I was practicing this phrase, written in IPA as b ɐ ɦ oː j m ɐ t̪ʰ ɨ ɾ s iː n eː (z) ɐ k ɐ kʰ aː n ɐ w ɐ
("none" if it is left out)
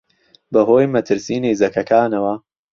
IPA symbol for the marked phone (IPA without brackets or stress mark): z